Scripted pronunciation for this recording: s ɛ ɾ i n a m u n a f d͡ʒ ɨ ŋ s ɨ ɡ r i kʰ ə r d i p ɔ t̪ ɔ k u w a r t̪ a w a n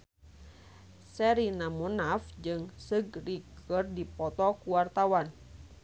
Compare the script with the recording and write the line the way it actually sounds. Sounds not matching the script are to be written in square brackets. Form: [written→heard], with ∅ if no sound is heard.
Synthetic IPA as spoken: s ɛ ɾ i n a m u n a f d͡ʒ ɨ ŋ s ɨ ɡ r i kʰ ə r d i p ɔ t̪ ɔ k u w a r t̪ a w a n

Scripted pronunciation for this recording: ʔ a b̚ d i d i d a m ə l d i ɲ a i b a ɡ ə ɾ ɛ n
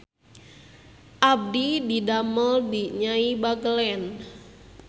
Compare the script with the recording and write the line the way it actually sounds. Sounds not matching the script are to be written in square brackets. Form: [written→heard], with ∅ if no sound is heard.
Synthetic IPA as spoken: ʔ a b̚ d i d i d a m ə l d i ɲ a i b a ɡ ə [ɾ→l] ɛ n

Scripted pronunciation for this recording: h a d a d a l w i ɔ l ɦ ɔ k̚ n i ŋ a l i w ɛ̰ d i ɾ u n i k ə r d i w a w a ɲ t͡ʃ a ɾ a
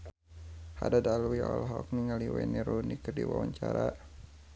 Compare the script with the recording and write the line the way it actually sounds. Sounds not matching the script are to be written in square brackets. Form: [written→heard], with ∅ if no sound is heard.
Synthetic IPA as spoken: h a d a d a l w i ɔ l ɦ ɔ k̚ n i ŋ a l i w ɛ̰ [d→n] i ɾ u n i k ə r d i w a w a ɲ t͡ʃ a ɾ a

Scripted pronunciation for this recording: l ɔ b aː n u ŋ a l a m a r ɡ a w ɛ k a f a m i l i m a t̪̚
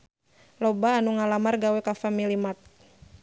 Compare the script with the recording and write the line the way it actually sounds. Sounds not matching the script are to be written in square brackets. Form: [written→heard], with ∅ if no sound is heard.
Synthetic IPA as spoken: l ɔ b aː n u ŋ a l a m a r ɡ a w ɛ k a f a m i l i m a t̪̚

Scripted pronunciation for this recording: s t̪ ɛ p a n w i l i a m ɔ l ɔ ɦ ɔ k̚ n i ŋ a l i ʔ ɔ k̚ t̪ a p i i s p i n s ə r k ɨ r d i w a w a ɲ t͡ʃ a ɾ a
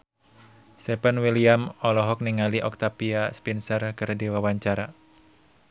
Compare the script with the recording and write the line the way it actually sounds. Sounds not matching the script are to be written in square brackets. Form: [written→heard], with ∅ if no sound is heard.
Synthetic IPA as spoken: s t̪ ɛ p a n w i l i a m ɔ l ɔ ɦ ɔ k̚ n i ŋ a l i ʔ ɔ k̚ t̪ a p i [i→a] s p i n s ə r k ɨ r d i w a w a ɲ t͡ʃ a ɾ a

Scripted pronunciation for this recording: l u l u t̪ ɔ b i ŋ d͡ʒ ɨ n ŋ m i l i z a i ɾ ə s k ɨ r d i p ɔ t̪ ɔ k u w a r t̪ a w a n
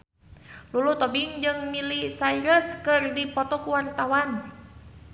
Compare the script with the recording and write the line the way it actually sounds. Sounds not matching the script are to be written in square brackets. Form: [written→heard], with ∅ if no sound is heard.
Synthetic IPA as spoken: l u l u t̪ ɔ b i ŋ d͡ʒ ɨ [n→∅] ŋ m i l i [z→s] a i ɾ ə s k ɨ r d i p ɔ t̪ ɔ k u w a r t̪ a w a n

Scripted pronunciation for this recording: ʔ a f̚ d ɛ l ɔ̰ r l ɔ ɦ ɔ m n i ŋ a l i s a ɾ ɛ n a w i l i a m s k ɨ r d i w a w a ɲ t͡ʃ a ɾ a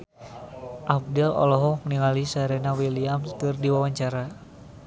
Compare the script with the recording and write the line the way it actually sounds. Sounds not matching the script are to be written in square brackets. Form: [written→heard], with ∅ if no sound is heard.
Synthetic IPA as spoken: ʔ a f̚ d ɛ l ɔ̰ [r→∅] l ɔ ɦ ɔ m n i ŋ a l i s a ɾ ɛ n a w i l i a m s k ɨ r d i w a w a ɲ t͡ʃ a ɾ a

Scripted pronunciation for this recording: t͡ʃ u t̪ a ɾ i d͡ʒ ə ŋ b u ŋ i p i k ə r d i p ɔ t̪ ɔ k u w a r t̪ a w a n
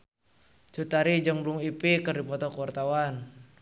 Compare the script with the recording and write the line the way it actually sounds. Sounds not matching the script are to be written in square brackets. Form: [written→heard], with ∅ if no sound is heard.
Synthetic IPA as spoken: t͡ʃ u t̪ a ɾ i d͡ʒ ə ŋ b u ŋ i p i k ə r d i p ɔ t̪ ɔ k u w a r t̪ a w a n

